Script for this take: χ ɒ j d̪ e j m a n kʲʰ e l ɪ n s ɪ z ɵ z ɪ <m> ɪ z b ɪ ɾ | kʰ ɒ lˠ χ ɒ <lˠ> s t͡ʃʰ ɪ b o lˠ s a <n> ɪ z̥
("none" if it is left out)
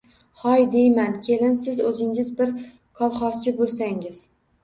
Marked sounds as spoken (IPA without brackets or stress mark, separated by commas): ŋ, none, ŋ